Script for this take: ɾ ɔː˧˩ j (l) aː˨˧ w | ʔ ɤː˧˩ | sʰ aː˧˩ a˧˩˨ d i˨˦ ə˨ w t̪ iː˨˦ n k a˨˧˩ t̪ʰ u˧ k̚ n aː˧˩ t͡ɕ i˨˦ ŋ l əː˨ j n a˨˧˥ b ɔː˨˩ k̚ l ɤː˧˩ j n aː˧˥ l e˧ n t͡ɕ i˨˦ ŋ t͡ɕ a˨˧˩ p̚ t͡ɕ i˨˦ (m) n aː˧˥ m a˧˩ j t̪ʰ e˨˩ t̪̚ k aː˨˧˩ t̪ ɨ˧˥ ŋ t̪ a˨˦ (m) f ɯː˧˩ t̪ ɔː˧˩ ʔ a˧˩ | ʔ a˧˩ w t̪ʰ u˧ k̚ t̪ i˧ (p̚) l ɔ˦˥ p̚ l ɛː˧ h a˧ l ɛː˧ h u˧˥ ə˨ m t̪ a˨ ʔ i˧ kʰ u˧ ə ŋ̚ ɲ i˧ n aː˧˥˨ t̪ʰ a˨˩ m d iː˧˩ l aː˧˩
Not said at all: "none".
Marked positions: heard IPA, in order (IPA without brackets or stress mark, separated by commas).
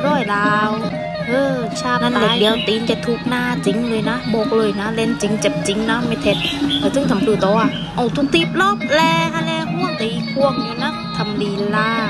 l, ŋ, m, p̚